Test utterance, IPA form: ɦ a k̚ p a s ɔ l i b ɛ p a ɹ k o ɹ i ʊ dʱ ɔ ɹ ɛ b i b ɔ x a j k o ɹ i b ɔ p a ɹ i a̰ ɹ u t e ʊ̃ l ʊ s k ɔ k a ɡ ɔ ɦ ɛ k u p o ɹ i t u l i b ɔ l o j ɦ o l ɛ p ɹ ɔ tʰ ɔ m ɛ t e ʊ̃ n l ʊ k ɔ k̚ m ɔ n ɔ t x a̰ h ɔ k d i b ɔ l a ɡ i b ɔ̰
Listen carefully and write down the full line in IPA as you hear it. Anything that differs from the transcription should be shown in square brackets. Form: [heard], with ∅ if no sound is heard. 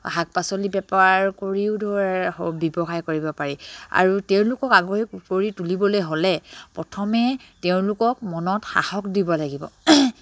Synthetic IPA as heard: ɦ a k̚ p a s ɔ l i b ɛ p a ɹ k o ɹ i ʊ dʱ ɔ ɹ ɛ b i b ɔ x a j k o ɹ i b ɔ p a ɹ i a̰ ɹ u t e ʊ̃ l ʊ [∅] k ɔ k a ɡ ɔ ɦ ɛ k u p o ɹ i t u l i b ɔ l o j ɦ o l ɛ p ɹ ɔ tʰ ɔ m ɛ t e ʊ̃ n l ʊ k ɔ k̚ m ɔ n ɔ t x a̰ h ɔ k d i b ɔ l a ɡ i b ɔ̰